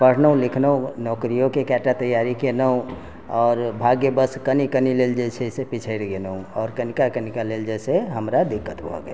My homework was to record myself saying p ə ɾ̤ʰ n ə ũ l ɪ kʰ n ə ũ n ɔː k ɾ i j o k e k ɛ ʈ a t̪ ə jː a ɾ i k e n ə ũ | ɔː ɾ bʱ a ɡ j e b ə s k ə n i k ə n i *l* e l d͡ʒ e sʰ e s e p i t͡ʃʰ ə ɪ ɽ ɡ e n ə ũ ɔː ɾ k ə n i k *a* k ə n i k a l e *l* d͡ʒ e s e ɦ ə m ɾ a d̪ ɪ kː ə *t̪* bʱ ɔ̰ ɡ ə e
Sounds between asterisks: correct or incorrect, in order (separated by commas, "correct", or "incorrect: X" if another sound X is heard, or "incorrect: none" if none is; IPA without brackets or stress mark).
correct, correct, correct, correct